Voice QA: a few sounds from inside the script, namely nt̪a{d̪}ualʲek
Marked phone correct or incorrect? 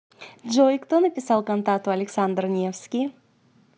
incorrect